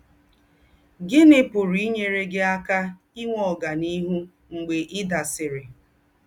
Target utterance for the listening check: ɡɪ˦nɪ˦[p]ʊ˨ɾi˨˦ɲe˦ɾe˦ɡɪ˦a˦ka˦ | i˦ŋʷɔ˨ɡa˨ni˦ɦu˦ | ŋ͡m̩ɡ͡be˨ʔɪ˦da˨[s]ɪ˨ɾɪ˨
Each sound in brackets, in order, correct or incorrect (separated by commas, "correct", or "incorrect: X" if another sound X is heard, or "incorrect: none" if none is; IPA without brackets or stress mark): correct, correct